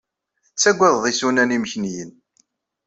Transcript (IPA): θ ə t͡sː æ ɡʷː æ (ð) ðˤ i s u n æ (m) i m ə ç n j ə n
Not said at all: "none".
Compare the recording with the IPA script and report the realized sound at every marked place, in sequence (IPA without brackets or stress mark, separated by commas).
ð, n